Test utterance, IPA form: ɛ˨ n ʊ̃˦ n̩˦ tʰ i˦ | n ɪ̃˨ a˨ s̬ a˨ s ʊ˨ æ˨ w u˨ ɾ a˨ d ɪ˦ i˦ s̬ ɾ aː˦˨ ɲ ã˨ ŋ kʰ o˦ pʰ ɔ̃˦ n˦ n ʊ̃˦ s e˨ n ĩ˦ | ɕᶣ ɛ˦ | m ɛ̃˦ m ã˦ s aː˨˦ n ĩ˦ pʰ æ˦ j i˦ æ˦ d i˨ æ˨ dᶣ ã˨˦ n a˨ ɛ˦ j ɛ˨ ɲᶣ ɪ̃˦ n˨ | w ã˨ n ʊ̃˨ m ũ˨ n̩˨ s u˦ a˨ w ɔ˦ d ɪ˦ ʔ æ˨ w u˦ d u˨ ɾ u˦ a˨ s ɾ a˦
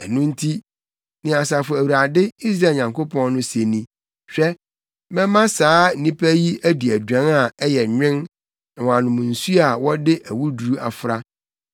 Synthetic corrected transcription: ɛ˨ n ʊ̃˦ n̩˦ tʰ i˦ | n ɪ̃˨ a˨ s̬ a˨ f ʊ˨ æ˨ w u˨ ɾ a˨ d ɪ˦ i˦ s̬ ɾ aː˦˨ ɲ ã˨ ŋ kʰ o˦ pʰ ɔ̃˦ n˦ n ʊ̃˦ s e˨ n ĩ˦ | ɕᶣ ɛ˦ | m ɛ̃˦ m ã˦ s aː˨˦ n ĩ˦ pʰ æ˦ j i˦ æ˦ d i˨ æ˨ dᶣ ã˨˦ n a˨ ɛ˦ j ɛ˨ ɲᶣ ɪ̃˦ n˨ | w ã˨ n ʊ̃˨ m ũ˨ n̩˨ s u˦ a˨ w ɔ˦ d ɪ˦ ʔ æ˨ w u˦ d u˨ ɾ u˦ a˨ f ɾ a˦